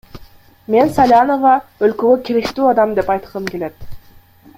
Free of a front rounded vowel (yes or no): no